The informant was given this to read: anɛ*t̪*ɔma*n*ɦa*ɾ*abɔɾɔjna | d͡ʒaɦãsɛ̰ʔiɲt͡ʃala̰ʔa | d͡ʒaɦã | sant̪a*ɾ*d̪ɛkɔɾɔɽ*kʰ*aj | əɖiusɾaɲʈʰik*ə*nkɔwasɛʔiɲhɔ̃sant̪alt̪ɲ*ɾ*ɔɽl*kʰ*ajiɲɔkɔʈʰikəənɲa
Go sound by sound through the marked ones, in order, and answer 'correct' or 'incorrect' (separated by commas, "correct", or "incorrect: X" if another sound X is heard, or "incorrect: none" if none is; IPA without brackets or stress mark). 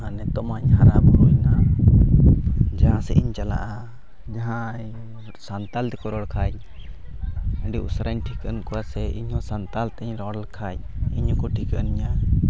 correct, incorrect: ɲ, correct, incorrect: l, correct, correct, correct, correct